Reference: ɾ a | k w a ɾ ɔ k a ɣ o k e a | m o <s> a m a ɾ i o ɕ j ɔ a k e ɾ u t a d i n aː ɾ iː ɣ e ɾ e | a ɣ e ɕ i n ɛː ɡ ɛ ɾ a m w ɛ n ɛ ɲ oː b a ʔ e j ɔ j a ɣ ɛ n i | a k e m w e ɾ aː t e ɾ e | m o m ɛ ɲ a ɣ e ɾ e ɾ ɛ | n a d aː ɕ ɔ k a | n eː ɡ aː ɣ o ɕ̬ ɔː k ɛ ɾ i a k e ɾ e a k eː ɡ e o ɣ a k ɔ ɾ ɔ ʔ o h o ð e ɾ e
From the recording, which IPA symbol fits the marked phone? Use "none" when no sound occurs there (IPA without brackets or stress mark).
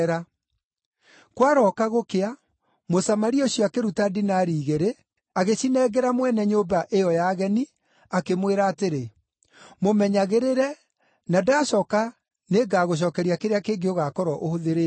s